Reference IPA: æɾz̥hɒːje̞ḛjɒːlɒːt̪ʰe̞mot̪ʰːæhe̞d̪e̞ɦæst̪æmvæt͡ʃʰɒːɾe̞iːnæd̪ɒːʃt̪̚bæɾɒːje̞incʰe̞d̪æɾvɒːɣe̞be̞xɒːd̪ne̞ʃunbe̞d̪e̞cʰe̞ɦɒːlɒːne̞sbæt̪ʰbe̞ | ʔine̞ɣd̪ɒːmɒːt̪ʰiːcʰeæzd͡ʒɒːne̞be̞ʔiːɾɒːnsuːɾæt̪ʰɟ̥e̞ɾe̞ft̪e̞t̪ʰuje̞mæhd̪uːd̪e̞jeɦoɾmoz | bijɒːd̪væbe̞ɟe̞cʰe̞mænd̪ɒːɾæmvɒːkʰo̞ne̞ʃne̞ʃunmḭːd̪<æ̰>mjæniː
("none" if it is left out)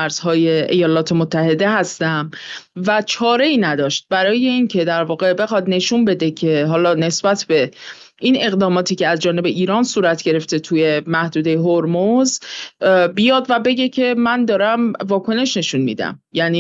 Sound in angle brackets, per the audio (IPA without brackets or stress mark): æ̰